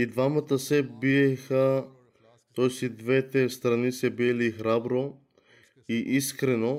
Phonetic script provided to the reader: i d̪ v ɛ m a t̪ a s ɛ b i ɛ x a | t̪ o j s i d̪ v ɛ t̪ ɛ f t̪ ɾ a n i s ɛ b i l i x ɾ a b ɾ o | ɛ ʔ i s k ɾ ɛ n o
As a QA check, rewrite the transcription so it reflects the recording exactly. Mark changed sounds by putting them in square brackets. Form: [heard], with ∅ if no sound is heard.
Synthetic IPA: i d̪ v [a] m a t̪ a s ɛ b i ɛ x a | t̪ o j s i d̪ v ɛ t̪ ɛ [s] t̪ ɾ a n i s ɛ b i l i x ɾ a b ɾ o | [i] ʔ i s k ɾ ɛ n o